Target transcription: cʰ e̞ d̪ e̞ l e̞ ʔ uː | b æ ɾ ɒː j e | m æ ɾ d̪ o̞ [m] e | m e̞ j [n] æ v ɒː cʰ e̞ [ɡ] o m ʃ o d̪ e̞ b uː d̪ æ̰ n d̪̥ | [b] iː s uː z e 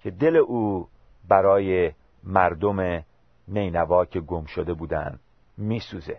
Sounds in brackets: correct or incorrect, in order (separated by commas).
correct, correct, correct, incorrect